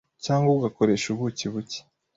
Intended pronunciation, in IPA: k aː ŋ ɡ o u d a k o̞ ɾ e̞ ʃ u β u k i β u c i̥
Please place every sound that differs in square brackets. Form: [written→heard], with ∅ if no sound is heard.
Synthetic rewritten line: [k→c] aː ŋ ɡ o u [d→ɡ] a k o̞ ɾ e̞ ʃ u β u [k→c] i β u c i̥